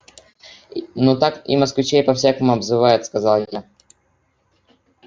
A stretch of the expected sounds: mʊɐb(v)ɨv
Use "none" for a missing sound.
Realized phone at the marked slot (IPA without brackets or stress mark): z